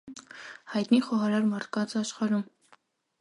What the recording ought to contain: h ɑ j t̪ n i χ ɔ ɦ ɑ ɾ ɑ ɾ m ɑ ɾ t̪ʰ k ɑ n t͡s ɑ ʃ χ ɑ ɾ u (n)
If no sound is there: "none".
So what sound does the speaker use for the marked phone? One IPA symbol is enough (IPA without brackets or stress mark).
m